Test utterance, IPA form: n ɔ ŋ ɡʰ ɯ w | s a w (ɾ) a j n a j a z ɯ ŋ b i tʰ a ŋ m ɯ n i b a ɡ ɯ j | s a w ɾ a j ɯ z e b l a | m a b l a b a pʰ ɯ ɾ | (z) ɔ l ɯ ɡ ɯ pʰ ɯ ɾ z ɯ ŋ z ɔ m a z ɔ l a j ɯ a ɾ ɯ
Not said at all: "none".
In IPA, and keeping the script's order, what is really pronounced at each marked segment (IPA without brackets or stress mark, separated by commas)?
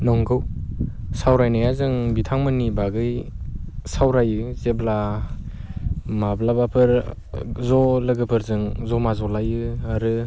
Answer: ɾ, z